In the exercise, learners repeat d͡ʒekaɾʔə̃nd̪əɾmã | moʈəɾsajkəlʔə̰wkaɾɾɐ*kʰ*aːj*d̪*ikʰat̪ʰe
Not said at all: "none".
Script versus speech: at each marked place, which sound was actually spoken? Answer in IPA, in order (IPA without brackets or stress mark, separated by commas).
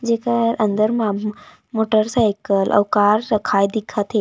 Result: kʰ, d̪